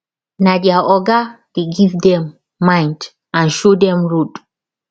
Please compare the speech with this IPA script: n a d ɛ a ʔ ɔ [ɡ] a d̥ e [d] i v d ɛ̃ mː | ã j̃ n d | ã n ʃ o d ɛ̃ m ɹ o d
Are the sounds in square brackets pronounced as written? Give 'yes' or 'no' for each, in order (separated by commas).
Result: yes, no